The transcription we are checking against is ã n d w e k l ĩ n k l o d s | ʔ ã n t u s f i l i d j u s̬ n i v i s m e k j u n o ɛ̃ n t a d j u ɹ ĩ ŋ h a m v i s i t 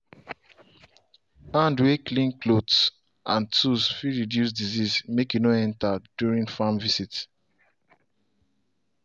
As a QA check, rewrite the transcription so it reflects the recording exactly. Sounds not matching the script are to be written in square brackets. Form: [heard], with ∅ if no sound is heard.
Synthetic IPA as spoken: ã n d w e k l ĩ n k l o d s | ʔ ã n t u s f i [ɹ] i d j u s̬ [d] i [z] i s m e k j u n o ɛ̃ n t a d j u ɹ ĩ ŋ [f] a m v i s i t